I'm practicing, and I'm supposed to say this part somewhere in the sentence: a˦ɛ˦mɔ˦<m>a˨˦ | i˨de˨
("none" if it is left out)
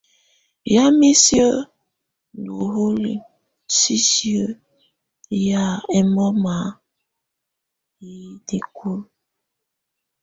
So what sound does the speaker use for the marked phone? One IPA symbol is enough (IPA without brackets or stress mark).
m